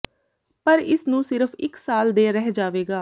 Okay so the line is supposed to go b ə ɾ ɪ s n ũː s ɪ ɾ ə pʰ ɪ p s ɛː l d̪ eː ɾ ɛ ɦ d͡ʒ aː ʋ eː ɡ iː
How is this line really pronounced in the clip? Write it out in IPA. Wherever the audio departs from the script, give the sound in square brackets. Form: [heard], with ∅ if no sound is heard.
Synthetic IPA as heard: [p] ə ɾ ɪ s n ũː s ɪ ɾ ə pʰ ɪ [k] s [aː] l d̪ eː ɾ ɛ ɦ d͡ʒ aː ʋ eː ɡ [aː]